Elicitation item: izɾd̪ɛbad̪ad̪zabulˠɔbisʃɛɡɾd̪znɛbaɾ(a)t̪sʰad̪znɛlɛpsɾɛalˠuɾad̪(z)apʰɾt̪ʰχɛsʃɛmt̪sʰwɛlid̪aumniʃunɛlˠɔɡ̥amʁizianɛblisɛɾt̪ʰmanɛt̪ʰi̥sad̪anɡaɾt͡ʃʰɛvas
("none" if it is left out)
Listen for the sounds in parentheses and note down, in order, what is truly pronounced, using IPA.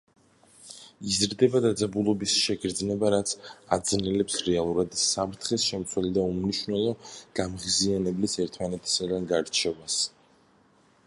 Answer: a, s

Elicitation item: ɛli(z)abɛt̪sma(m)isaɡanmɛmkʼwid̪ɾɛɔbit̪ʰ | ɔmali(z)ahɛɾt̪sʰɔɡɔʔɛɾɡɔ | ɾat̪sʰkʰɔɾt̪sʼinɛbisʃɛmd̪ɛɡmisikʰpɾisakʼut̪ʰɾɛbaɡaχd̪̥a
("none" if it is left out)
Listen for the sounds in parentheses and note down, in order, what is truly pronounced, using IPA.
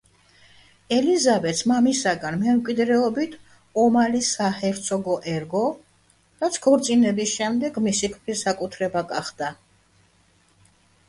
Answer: z, m, s

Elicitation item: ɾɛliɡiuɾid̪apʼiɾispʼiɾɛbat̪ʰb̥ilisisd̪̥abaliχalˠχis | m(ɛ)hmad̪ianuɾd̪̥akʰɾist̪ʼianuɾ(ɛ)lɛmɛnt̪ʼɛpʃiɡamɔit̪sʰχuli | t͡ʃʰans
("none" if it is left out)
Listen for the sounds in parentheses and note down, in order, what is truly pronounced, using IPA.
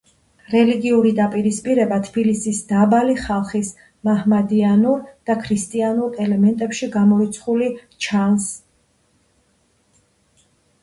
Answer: a, ɛ

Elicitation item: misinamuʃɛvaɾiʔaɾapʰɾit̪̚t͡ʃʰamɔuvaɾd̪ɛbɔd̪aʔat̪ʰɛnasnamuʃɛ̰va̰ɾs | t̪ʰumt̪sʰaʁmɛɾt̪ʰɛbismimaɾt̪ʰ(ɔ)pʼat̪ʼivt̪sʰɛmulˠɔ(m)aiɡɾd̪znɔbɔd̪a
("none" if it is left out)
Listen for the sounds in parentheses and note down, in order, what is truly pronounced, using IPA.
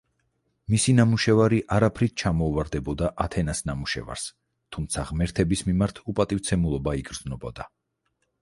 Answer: u, b

